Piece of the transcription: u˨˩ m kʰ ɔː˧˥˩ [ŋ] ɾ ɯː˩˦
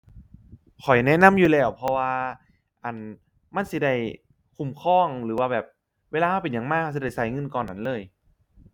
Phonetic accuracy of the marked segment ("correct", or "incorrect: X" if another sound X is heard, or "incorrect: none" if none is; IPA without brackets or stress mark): correct